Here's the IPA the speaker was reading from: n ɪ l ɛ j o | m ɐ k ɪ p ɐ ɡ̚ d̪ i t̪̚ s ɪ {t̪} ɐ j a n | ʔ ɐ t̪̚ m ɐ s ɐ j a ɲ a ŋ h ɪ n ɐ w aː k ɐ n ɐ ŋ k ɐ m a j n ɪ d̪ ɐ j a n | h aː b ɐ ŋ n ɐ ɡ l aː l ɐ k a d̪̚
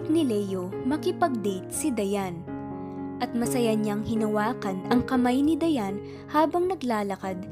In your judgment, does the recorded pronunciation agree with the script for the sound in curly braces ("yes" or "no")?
no